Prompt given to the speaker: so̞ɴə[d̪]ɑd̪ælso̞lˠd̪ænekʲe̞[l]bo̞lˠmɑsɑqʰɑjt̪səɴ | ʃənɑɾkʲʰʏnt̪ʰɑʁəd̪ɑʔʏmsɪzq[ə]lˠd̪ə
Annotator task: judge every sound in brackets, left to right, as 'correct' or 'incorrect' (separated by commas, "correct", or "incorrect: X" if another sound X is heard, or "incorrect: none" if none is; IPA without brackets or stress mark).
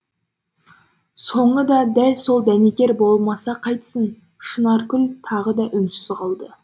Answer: correct, incorrect: ɾ, incorrect: ɑ